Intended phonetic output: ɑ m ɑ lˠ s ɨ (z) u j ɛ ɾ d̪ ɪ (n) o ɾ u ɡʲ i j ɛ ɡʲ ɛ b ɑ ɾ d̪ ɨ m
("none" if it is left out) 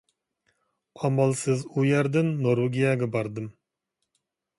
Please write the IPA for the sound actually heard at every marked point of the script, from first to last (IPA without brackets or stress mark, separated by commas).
z, nː